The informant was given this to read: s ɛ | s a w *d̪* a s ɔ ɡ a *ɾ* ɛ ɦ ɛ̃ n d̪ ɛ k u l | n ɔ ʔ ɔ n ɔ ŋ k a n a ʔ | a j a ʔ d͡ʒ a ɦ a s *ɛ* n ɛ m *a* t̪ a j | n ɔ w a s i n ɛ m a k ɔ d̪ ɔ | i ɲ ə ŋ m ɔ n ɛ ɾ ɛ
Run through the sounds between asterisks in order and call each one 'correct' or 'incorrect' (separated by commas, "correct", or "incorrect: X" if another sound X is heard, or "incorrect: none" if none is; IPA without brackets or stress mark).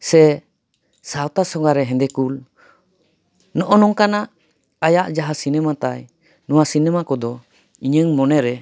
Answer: incorrect: t̪, correct, incorrect: i, correct